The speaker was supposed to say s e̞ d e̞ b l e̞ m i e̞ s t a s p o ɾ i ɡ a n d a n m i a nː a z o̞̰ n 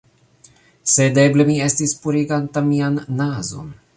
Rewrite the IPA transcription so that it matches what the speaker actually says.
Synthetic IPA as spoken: s e̞ d e̞ b l e̞ m i e̞ s t i s p u ɾ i ɡ a n t a m i a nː a z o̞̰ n